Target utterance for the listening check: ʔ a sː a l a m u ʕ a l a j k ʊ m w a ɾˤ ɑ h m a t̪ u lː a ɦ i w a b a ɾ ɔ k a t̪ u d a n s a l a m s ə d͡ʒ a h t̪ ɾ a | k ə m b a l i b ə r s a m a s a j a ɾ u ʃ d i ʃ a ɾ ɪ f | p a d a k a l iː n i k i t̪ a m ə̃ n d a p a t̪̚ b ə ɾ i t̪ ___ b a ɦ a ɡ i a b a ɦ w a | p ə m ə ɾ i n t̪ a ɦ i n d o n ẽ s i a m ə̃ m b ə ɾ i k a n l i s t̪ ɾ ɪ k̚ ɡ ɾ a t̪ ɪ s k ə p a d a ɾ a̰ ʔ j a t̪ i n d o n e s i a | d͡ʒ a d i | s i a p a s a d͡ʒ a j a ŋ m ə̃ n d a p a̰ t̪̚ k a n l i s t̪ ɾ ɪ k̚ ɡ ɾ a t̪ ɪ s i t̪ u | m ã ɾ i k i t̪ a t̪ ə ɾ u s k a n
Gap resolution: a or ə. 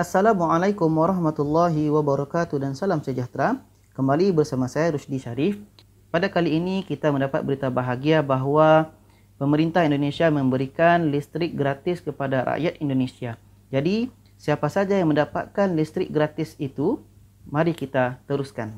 a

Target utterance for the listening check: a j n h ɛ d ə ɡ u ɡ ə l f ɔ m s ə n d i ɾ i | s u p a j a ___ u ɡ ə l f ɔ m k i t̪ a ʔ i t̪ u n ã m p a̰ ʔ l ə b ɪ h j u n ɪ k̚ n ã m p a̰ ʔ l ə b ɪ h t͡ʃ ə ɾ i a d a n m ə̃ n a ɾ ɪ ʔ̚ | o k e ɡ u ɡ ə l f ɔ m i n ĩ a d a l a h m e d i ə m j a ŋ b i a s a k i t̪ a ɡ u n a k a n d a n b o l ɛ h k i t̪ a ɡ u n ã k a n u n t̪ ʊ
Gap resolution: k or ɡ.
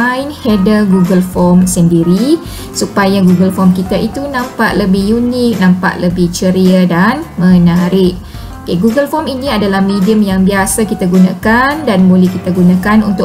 ɡ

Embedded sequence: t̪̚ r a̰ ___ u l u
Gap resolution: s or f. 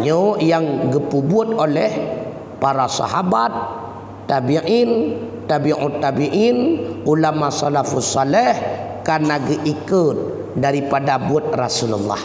s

